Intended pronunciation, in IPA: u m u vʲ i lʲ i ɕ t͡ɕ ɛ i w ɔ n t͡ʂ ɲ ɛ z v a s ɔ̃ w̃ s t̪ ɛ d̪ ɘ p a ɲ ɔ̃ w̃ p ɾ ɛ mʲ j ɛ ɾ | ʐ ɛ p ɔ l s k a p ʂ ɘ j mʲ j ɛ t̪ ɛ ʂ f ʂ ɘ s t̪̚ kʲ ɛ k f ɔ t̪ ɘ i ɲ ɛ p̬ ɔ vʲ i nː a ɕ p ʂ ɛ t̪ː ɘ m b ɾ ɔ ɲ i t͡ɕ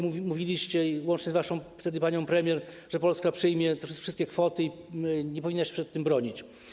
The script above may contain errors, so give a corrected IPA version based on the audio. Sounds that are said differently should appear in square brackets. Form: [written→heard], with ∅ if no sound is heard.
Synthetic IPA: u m u vʲ i lʲ i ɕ t͡ɕ ɛ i w ɔ n t͡ʂ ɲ ɛ z v a [s→ʂ] ɔ̃ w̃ [s→f] t̪ ɛ d̪ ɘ p a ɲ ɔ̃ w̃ p ɾ ɛ mʲ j ɛ ɾ | ʐ ɛ p ɔ l s k a p ʂ ɘ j mʲ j ɛ t̪ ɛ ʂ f ʂ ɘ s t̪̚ kʲ ɛ k f ɔ t̪ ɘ i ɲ ɛ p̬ ɔ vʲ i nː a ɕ p ʂ ɛ t̪ː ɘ m b ɾ ɔ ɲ i t͡ɕ